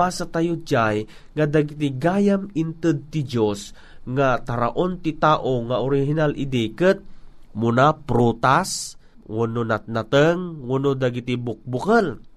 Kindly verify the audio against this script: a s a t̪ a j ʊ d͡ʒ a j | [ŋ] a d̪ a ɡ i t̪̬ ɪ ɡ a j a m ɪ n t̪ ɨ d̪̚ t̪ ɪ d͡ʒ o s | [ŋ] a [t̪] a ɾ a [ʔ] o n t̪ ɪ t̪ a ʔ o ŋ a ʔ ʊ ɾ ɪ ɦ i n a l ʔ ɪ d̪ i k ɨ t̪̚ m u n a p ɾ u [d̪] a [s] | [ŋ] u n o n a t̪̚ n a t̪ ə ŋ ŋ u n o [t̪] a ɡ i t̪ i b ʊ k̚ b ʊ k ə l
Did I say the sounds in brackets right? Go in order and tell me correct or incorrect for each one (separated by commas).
correct, correct, correct, correct, incorrect, correct, correct, incorrect